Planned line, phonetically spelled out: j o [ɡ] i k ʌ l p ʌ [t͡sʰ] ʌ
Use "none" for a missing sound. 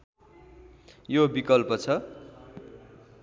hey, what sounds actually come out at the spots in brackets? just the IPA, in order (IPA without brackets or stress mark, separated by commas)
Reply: b, t͡sʰ